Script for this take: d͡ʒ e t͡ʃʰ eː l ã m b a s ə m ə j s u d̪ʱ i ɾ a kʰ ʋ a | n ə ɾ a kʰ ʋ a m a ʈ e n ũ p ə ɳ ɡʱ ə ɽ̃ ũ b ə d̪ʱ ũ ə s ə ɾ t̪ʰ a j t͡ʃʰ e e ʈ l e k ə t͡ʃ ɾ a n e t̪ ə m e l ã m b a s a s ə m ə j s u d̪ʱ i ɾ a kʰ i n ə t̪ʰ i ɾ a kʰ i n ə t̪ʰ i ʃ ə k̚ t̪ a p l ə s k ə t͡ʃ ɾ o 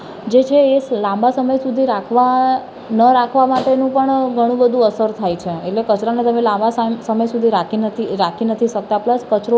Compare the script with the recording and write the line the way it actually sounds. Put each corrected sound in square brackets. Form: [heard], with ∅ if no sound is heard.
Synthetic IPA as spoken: d͡ʒ e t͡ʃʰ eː l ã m b a s ə m ə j s u d̪ʱ i ɾ a kʰ ʋ a | n ə ɾ a kʰ ʋ a m a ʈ e n ũ p ə ɳ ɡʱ ə ɽ̃ ũ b ə d̪ʱ ũ ə s ə ɾ t̪ʰ a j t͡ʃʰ e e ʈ l e k ə t͡ʃ ɾ a n e t̪ ə m e l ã m b a s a s ə m ə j s u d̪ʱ i ɾ a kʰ i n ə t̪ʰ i ɾ a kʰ i n ə t̪ʰ i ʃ ə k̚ t̪ a p l ə s k ə t͡ʃ ɾ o